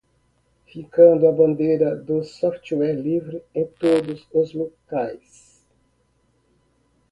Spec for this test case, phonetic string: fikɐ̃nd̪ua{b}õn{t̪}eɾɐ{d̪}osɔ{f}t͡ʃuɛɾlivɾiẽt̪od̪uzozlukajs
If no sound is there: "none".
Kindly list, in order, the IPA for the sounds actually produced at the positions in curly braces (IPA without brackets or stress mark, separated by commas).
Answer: b, d̪, d̪, f